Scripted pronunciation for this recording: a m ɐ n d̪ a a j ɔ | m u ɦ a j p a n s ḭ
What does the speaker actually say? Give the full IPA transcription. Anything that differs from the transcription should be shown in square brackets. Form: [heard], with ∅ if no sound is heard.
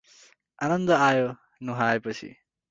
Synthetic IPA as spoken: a [n] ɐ n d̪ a a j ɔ | [n] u ɦ a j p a [∅] s ḭ